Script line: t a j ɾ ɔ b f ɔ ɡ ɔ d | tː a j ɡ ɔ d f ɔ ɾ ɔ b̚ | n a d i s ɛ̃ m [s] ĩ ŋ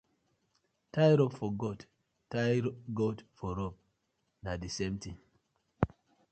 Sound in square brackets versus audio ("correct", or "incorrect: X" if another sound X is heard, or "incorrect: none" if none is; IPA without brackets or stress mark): incorrect: t